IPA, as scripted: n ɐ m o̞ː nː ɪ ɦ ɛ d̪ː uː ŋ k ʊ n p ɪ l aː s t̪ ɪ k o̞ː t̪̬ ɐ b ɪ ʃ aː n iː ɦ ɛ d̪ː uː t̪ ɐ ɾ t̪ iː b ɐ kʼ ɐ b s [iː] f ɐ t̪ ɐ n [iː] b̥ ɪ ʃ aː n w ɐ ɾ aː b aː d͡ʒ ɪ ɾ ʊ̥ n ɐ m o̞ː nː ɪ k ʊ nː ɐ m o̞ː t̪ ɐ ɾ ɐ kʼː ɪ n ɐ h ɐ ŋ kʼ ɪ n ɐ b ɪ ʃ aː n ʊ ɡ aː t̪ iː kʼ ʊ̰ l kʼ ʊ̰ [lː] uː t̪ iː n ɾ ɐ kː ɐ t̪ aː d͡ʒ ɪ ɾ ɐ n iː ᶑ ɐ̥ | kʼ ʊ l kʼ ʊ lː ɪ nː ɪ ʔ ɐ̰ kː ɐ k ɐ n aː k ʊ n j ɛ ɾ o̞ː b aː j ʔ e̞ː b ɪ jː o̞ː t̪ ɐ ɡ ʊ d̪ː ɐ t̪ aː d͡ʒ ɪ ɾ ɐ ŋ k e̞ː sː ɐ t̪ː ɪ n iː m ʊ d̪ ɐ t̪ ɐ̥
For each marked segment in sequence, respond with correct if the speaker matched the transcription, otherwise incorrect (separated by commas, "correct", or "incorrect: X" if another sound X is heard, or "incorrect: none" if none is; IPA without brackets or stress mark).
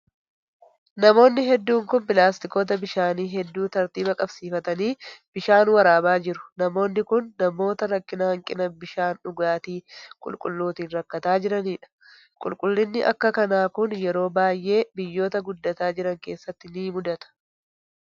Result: correct, correct, correct